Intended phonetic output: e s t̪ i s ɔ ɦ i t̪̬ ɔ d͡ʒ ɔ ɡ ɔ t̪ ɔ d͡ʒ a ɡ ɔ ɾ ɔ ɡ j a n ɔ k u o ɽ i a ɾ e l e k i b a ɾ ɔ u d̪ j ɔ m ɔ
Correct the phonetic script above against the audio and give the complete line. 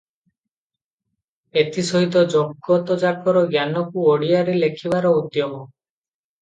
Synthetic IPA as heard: e t̪ i s ɔ ɦ i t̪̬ ɔ d͡ʒ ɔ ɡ ɔ t̪ ɔ d͡ʒ a k ɔ ɾ ɔ ɡ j a n ɔ k u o ɽ i a ɾ e l e kʰ i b a ɾ ɔ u d̪ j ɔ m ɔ